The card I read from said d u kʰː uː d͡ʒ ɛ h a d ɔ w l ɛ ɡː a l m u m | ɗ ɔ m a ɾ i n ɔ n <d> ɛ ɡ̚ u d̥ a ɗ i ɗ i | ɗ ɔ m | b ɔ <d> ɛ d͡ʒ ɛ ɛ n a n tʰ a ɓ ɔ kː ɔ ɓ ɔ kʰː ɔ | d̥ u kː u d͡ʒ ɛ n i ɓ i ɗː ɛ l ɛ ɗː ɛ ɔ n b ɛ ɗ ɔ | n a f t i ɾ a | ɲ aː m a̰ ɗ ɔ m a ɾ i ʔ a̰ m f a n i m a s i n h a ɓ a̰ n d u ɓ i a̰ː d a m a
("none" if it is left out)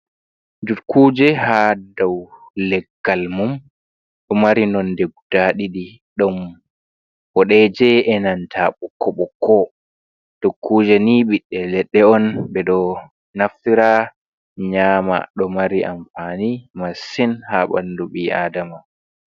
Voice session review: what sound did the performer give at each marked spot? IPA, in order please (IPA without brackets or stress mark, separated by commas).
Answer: d, ɗ